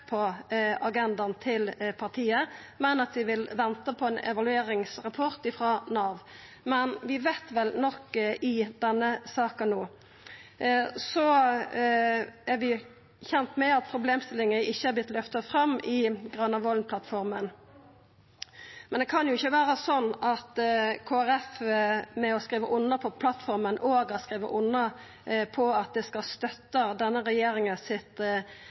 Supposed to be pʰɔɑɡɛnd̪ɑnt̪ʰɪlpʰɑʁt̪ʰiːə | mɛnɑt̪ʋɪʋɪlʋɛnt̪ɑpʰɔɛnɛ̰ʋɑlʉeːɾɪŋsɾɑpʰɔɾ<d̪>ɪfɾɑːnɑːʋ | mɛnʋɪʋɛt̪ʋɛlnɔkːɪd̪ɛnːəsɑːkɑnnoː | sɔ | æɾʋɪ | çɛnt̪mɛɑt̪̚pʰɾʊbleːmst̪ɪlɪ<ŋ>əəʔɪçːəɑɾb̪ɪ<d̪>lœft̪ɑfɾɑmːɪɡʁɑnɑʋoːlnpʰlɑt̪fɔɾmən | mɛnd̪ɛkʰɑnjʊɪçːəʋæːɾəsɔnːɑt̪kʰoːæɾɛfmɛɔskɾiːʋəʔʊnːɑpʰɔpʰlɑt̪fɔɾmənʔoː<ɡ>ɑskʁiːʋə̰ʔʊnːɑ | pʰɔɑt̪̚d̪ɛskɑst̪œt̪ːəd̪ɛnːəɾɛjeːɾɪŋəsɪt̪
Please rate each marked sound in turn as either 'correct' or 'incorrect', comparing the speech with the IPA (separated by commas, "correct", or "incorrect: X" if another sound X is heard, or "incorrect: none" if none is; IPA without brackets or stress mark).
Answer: incorrect: t̪, correct, incorrect: t̪, correct